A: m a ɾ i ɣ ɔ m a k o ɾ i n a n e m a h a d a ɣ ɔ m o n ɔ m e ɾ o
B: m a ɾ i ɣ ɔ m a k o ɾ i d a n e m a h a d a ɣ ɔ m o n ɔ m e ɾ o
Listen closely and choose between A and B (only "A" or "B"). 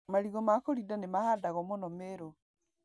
B